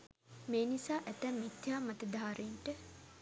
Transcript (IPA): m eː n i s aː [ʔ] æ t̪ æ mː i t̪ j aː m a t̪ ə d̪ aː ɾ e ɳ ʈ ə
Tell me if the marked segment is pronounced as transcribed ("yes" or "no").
yes